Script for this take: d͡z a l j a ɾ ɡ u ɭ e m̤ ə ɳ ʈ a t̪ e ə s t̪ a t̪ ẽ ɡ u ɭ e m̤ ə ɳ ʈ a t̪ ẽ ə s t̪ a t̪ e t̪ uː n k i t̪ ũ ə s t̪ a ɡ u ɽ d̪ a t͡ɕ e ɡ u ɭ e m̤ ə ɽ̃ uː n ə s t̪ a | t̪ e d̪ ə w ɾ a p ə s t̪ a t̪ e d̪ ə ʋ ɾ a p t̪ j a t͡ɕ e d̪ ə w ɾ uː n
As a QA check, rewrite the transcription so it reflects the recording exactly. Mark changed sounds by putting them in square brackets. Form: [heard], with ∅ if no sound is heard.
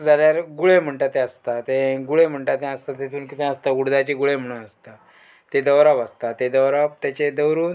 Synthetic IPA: d͡z a l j a ɾ ɡ u ɭ e m̤ ə ɳ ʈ a t̪ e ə s t̪ a t̪ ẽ ɡ u ɭ e m̤ ə ɳ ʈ a t̪ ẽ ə s t̪ a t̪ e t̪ uː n k i t̪ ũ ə s t̪ a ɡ u ɽ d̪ a t͡ɕ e ɡ u ɭ e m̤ ə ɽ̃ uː n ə s t̪ a | t̪ e d̪ ə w ɾ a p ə s t̪ a t̪ e d̪ ə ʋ ɾ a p t̪ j a t͡ɕ e d̪ ə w ɾ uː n